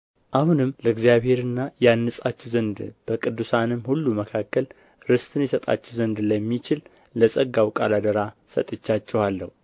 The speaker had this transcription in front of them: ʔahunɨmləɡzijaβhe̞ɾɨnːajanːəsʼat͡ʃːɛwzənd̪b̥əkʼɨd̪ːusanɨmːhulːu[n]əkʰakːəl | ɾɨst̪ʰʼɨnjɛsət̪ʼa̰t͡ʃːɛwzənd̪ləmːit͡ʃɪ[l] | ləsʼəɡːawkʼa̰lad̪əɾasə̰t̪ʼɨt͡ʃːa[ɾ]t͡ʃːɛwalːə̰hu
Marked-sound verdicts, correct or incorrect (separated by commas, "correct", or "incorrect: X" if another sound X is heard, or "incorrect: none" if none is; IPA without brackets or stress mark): incorrect: m, correct, incorrect: none